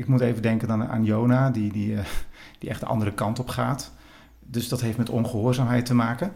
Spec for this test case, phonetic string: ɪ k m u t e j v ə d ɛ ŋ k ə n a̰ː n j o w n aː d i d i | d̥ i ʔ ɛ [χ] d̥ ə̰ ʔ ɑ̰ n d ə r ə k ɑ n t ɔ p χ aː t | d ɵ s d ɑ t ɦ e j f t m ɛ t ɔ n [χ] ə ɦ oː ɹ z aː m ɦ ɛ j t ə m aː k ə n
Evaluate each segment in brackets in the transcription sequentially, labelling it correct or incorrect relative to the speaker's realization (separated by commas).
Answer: correct, correct